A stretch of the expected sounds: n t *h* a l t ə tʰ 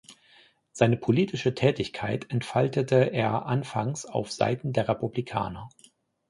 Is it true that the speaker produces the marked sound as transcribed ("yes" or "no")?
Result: no